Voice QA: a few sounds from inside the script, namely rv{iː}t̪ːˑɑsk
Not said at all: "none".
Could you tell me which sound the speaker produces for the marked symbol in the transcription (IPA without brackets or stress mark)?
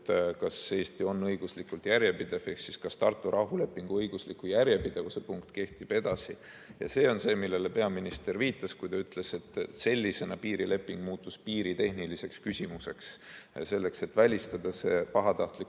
iː